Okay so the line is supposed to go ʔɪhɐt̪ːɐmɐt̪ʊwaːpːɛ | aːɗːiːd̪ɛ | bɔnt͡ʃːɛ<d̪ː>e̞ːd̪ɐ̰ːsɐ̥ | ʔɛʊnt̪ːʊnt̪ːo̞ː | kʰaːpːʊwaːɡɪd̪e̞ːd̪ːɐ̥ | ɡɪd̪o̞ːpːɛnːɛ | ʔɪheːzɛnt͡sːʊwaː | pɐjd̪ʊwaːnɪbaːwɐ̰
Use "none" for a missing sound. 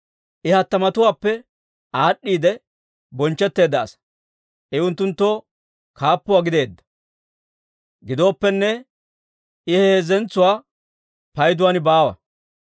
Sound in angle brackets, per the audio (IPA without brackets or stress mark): t̪ː